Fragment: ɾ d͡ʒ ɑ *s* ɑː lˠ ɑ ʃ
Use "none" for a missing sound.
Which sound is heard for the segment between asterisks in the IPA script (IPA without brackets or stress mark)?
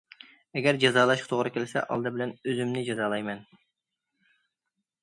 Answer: z